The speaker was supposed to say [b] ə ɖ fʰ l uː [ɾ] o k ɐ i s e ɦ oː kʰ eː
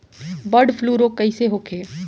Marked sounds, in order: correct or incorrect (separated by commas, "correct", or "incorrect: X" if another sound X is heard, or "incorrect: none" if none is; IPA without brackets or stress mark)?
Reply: correct, correct